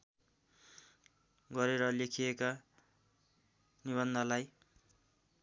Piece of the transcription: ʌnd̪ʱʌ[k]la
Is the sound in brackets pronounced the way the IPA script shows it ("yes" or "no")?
no